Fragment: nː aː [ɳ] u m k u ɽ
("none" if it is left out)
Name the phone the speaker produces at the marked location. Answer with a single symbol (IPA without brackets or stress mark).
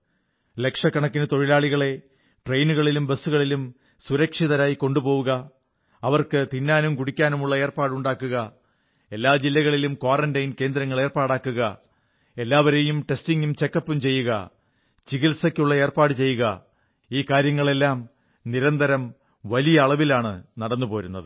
n